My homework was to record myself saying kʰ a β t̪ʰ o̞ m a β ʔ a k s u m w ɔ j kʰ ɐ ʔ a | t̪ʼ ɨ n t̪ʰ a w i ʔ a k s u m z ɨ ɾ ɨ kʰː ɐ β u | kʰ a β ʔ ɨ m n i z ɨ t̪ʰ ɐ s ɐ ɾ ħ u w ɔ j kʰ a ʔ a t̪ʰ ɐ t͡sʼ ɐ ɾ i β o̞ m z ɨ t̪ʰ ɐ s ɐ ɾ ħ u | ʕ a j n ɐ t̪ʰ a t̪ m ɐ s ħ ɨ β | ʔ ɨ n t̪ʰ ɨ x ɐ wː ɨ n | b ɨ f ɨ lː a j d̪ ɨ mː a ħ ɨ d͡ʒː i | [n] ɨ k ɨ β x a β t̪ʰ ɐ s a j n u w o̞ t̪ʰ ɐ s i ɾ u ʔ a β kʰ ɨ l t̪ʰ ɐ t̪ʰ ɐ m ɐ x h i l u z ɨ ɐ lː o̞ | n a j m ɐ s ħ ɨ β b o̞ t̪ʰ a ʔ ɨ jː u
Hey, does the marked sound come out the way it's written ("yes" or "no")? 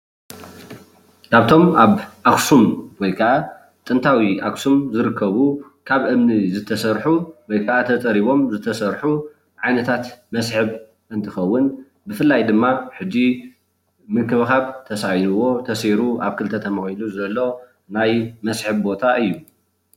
no